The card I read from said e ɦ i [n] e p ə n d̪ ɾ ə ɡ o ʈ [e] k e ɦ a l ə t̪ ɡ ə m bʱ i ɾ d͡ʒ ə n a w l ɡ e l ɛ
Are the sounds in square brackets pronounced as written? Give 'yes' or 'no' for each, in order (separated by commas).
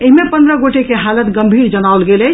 no, yes